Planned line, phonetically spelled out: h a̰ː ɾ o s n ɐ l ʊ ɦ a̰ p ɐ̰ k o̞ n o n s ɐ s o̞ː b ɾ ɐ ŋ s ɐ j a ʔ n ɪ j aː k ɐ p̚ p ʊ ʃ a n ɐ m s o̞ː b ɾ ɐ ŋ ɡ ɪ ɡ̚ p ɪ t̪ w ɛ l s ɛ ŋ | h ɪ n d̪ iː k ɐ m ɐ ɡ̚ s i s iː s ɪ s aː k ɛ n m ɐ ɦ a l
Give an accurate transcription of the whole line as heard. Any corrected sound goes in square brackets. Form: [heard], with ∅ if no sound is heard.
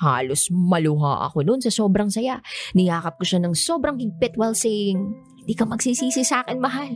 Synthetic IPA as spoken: h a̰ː [l] o s [m] ɐ l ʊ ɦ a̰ [ʔ] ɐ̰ k o̞ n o n s ɐ s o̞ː b ɾ ɐ ŋ s ɐ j a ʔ n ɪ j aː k ɐ p̚ [k] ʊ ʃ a n ɐ [ŋ] s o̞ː b ɾ ɐ ŋ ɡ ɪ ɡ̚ p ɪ t̪ w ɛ l s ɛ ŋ | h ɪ n d̪ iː k ɐ m ɐ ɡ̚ s i s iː s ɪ s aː k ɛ n m ɐ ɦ a l